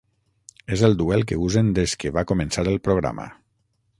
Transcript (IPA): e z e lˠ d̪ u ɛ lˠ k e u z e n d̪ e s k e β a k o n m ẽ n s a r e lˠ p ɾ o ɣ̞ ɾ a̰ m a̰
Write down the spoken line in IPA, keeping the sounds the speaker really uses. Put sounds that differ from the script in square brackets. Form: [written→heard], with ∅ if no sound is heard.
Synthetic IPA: e z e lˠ d̪ u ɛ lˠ k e u z e n d̪ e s k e β a k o [n→∅] m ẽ n s a [r→ɾ] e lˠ p ɾ o ɣ̞ ɾ a̰ m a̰